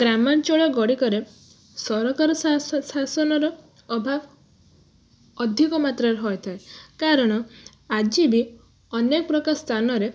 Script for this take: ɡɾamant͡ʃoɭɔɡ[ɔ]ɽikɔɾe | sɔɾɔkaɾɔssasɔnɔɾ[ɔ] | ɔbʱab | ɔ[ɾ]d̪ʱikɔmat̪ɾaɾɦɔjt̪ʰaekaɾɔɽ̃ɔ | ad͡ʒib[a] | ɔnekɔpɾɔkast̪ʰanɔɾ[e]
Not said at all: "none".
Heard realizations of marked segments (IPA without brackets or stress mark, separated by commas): ɔ, ɔ, none, i, e